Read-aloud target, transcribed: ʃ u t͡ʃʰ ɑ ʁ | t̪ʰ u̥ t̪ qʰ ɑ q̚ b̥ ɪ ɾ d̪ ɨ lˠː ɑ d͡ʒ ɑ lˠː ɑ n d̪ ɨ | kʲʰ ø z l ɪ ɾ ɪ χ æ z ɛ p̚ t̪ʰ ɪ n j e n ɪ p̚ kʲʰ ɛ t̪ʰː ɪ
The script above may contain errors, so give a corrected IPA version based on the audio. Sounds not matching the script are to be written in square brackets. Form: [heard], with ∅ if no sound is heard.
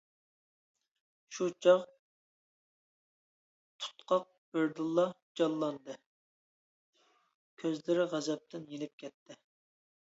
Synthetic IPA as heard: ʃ u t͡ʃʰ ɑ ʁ | t̪ʰ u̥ t̪ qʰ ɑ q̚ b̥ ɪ ɾ d̪ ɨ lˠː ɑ d͡ʒ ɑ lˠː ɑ n d̪ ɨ | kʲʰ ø z l ɪ ɾ ɪ [ʁ] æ z ɛ p̚ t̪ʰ ɪ n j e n ɪ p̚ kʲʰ ɛ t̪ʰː ɪ

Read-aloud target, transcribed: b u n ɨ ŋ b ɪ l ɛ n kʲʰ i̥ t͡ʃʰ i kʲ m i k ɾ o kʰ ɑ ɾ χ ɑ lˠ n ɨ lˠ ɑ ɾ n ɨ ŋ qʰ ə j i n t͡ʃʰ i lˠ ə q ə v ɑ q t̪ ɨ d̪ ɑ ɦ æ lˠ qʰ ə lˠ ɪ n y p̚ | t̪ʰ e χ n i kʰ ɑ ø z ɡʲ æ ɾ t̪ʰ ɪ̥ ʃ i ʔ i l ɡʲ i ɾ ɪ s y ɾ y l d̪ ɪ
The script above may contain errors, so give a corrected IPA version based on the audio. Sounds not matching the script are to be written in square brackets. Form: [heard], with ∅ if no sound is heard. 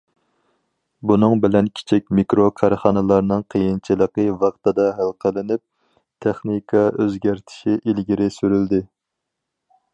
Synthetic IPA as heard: b u n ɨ ŋ b ɪ l ɛ n kʲʰ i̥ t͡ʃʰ i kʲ m i k ɾ o kʰ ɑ ɾ χ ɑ [∅] n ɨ lˠ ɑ ɾ n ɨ ŋ qʰ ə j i n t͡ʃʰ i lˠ ə q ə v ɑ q t̪ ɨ d̪ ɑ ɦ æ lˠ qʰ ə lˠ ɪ n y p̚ | t̪ʰ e χ n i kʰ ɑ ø z ɡʲ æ ɾ t̪ʰ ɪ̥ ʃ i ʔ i l ɡʲ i ɾ ɪ s y ɾ y l d̪ ɪ

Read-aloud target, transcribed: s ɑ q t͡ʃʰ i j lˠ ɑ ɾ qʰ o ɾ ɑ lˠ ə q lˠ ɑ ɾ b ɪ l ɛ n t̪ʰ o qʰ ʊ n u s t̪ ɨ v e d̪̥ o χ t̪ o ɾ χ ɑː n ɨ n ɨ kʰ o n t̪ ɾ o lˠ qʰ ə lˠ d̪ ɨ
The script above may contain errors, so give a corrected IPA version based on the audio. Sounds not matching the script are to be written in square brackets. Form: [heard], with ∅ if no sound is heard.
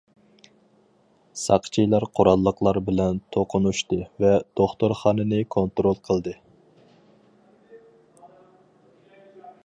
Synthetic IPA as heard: s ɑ q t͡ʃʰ i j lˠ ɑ ɾ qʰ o ɾ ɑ [lˠː] ə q lˠ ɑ ɾ b ɪ l ɛ n t̪ʰ o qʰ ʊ n u [ʃ] t̪ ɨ v [ɛ] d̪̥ o χ t̪ o ɾ χ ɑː n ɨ n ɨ kʰ o n t̪ ɾ o lˠ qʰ ə lˠ d̪ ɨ

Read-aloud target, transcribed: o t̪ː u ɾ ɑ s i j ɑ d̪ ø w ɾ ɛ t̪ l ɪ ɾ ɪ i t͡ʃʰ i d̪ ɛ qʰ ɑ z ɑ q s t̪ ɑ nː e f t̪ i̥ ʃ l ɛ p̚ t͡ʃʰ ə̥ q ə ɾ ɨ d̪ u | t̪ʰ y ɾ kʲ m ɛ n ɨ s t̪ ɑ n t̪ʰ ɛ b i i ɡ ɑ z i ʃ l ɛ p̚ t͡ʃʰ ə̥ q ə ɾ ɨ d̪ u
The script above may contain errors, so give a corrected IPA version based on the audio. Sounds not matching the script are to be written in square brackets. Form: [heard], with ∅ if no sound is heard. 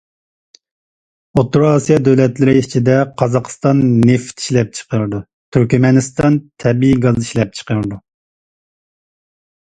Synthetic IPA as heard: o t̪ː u ɾ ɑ s i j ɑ d̪ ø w [l] ɛ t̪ l ɪ ɾ ɪ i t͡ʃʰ i d̪ ɛ qʰ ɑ z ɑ q s t̪ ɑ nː e f t̪ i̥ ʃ l ɛ p̚ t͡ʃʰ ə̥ q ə ɾ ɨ d̪ u | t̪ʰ y ɾ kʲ m ɛ n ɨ s t̪ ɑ n t̪ʰ ɛ b i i ɡ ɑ z i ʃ l ɛ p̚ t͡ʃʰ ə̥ q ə ɾ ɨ d̪ u

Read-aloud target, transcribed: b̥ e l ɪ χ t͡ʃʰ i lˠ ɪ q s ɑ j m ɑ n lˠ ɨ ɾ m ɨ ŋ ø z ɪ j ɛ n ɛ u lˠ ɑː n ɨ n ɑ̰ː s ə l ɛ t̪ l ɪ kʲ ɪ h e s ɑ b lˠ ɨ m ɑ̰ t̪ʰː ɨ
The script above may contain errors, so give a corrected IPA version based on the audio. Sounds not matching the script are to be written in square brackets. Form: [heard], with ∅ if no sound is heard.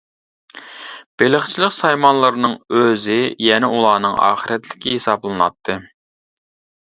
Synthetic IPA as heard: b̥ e l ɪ χ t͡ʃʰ i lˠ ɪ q s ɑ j m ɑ n lˠ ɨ ɾ [n] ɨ ŋ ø z ɪ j ɛ n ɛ u lˠ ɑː n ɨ [ŋ] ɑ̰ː [χ] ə [ɾ] ɛ t̪ l ɪ kʲ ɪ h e s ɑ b lˠ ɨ [n] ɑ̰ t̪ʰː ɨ

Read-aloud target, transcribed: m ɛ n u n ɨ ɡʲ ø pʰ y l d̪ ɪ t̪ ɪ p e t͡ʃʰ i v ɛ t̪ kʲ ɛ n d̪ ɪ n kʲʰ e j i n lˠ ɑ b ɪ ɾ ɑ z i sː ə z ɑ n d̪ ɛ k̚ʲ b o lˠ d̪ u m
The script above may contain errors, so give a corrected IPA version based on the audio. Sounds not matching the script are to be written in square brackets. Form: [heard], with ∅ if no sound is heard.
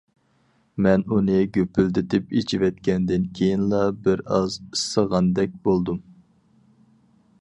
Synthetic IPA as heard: m ɛ n u n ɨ ɡʲ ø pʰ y l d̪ ɪ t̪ ɪ p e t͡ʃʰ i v ɛ t̪ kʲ ɛ n d̪ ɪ n kʲʰ e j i n lˠ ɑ b ɪ ɾ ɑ z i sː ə [ʁ] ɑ n d̪ ɛ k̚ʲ b o lˠ d̪ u m

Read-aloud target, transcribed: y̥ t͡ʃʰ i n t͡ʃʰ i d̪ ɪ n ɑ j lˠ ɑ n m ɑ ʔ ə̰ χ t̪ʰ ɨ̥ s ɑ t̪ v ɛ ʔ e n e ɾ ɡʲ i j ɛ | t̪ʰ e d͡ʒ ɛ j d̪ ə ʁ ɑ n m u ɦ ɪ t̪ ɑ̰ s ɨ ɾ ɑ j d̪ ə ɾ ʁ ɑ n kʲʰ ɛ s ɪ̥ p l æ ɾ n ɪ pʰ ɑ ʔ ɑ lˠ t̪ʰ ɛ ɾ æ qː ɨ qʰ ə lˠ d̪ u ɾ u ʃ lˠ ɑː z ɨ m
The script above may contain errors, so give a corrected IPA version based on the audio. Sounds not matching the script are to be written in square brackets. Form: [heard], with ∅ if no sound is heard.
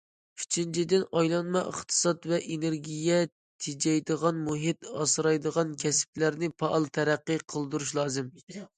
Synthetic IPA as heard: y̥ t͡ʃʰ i n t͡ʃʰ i d̪ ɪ n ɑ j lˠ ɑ n m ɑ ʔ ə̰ χ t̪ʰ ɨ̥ s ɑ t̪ v ɛ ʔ e n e ɾ ɡʲ i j ɛ | t̪ʰ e d͡ʒ ɛ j d̪ ə ʁ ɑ n m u ɦ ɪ t̪ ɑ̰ s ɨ ɾ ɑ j d̪ ə [∅] ʁ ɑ n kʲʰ ɛ s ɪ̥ p l æ ɾ n ɪ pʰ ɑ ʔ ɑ lˠ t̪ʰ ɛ ɾ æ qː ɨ qʰ ə lˠ d̪ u ɾ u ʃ lˠ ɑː z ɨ m

